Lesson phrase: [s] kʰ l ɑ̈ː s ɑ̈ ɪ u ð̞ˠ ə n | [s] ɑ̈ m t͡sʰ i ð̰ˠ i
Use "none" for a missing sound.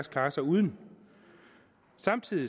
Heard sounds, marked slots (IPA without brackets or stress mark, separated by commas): s, s